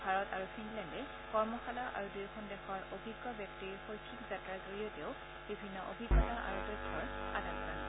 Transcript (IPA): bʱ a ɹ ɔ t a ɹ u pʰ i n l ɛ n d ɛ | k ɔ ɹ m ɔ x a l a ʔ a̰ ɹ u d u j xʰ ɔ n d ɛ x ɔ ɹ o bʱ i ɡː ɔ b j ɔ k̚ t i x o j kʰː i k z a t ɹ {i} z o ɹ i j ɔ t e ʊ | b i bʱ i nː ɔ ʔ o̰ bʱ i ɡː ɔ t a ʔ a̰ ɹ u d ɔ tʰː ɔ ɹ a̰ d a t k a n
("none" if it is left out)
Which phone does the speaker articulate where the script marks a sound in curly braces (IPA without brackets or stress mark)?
a